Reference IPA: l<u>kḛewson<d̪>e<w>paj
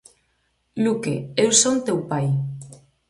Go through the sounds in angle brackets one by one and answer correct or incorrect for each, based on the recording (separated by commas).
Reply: correct, incorrect, correct